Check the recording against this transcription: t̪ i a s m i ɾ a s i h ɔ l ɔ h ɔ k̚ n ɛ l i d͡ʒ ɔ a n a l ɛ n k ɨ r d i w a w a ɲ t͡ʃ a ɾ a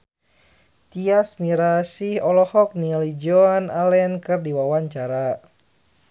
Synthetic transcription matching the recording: t̪ i a s m i ɾ a s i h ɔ l ɔ h ɔ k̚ n i l i d͡ʒ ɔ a n a l ɛ n k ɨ r d i w a w a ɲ t͡ʃ a ɾ a

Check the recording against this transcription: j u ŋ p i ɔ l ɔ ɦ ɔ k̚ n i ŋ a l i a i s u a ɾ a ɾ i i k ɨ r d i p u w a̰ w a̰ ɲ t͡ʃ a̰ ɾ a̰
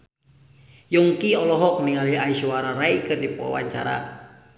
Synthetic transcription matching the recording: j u ŋ k i ɔ l ɔ ɦ ɔ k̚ n i ŋ a l i a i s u a ɾ a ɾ a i k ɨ r d i p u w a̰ w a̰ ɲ t͡ʃ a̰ ɾ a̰

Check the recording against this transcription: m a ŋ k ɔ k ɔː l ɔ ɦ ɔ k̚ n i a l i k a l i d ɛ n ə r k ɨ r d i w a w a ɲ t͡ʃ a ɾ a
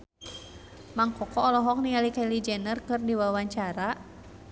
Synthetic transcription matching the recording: m a ŋ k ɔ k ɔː l ɔ ɦ ɔ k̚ n i a l i k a l i d͡ʒ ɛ n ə r k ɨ r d i w a w a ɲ t͡ʃ a ɾ a

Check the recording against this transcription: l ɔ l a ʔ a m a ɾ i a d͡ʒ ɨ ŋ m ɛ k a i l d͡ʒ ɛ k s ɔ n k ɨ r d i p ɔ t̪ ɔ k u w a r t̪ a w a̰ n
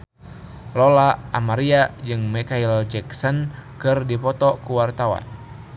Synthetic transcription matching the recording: l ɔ l a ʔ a m a ɾ i a d͡ʒ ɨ ŋ m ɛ k a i l d͡ʒ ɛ k s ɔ n k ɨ r d i p ɔ t̪ ɔ k u w a r t̪ a w a̰ n

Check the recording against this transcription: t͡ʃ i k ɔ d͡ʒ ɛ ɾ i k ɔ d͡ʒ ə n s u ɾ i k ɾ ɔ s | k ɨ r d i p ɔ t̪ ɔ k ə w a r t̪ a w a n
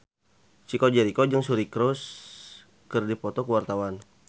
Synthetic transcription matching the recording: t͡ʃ i k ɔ d͡ʒ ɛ ɾ i k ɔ d͡ʒ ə ŋ s u ɾ i k ɾ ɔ s | k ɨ r d i p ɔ t̪ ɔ k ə w a r t̪ a w a n

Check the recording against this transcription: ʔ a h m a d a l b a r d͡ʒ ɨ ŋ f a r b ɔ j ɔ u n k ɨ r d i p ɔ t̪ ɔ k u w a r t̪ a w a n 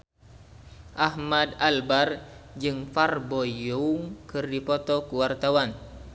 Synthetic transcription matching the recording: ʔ a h m a d a l b a r d͡ʒ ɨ ŋ f a r b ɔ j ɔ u ŋ k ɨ r d i p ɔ t̪ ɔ k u w a r t̪ a w a n

